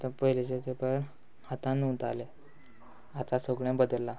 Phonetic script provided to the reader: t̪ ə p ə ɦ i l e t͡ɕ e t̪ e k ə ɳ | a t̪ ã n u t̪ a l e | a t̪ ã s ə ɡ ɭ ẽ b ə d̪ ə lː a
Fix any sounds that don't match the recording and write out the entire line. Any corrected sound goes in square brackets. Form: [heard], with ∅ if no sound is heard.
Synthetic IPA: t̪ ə p ə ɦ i l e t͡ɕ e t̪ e [p] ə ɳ | a t̪ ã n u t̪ a l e | a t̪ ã s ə ɡ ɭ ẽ b ə d̪ ə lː a